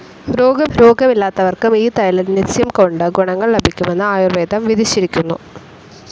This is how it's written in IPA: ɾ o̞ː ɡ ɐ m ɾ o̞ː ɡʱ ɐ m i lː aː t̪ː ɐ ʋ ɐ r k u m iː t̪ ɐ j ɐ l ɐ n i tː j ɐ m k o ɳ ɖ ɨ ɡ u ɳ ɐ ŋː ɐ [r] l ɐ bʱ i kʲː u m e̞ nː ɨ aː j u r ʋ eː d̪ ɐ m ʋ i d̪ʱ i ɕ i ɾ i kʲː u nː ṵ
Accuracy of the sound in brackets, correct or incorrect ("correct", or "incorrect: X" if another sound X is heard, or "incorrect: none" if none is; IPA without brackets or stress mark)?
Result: incorrect: ɭ